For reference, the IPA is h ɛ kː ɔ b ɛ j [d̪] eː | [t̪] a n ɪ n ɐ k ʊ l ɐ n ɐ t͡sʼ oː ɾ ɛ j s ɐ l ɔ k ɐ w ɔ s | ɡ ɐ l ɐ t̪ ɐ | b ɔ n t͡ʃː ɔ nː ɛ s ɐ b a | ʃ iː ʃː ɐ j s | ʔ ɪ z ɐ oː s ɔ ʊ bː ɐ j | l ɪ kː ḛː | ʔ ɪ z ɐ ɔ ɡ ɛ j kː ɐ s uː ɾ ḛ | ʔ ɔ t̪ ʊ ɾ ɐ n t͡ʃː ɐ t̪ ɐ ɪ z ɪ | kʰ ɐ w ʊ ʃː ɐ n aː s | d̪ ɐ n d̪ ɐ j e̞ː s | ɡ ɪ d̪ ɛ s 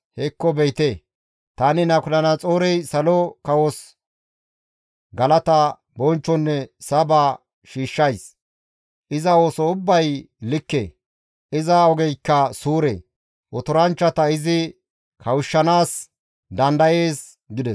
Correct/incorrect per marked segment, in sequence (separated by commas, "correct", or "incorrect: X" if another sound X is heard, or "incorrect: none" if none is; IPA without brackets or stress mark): incorrect: t̪, correct